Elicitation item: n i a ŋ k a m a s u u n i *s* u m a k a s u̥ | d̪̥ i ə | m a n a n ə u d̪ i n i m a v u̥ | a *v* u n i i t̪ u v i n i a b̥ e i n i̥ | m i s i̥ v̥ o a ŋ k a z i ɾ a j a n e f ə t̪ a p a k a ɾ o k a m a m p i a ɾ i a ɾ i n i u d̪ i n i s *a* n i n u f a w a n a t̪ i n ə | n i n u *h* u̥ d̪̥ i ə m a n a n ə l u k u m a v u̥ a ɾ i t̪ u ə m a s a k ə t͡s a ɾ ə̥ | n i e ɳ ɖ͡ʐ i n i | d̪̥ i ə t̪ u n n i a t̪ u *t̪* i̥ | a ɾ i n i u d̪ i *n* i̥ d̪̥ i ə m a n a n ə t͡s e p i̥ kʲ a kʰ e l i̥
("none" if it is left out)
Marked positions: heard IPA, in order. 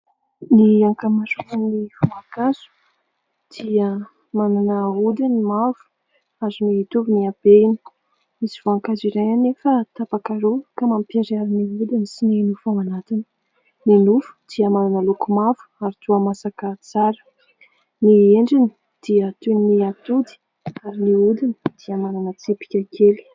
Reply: f, z, i, f, d̪, n

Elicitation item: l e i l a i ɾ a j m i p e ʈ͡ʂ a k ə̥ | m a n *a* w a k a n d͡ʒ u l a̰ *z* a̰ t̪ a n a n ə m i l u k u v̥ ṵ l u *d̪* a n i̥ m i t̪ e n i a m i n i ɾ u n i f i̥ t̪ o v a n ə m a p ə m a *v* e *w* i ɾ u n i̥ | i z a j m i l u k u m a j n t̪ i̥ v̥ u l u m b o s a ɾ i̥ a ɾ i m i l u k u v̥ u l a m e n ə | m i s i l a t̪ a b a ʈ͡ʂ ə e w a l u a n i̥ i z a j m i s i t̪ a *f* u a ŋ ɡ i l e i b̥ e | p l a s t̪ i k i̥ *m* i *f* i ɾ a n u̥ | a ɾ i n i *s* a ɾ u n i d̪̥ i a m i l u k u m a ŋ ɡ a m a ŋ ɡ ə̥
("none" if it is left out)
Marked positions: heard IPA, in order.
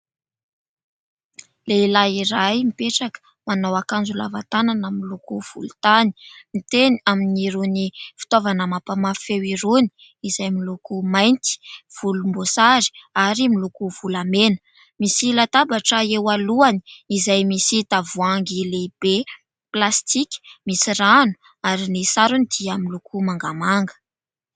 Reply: a, v, t̪, f, w, v, m, s, s

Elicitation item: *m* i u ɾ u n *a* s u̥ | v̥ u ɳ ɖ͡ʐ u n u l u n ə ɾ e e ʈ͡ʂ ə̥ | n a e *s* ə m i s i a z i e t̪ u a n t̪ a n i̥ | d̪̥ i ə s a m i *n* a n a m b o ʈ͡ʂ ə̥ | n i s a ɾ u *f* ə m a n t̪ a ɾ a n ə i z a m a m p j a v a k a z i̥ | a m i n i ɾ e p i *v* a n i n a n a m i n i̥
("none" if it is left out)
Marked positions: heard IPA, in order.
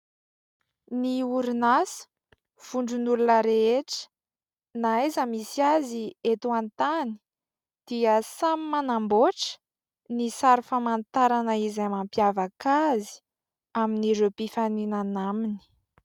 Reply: n, a, z, m, f, f

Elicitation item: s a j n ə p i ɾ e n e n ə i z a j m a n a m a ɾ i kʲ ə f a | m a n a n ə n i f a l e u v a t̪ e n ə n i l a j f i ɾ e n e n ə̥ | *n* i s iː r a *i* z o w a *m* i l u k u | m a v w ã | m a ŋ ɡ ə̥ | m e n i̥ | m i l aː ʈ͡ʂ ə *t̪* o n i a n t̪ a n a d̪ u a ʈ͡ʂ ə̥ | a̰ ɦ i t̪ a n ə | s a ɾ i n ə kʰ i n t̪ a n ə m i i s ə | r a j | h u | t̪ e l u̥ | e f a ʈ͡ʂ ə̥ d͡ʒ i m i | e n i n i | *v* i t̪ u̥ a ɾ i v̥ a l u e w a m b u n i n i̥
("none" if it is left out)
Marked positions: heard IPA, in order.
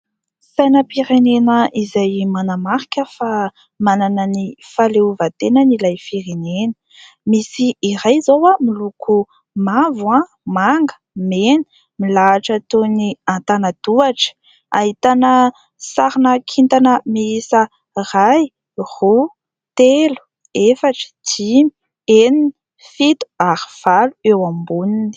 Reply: m, j, m, t̪, f

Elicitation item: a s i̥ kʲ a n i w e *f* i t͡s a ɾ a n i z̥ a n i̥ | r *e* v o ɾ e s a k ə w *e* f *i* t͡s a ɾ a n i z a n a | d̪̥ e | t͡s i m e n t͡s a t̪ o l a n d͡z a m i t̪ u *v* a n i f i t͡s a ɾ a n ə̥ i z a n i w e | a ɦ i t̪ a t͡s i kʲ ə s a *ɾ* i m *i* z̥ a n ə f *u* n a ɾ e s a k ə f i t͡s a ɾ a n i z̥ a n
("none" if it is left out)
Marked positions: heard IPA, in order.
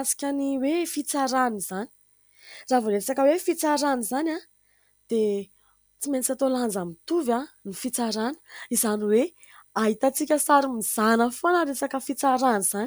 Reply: f, a, e, i, v, ɾ, i, o

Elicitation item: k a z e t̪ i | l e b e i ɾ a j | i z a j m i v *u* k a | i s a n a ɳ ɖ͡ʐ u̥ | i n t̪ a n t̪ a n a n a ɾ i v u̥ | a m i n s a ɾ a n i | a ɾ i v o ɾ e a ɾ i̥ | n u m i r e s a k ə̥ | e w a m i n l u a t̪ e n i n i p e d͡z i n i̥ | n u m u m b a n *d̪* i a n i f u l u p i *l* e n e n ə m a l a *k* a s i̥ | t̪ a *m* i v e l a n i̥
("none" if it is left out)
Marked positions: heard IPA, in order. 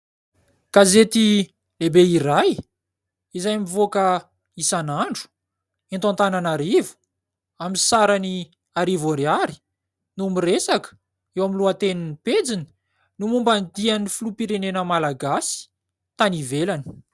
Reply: o, d̪, ɾ, ɡ, n

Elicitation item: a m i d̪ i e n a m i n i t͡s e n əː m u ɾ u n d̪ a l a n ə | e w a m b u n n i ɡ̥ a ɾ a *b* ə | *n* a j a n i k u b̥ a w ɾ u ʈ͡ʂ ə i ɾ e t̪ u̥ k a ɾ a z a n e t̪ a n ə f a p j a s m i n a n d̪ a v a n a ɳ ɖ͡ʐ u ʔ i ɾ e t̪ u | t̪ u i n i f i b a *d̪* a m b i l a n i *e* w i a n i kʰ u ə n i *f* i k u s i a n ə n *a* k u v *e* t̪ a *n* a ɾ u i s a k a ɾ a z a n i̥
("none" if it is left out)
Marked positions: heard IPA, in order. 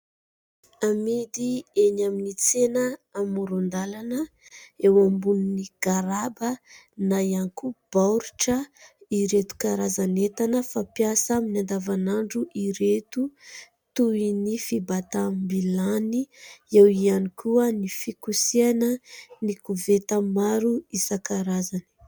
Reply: b, n, t̪, e, f, i, e, m

